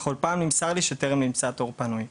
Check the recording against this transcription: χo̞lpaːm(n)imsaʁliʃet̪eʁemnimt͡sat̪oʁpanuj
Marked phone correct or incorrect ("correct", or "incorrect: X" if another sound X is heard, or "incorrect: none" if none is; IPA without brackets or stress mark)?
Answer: correct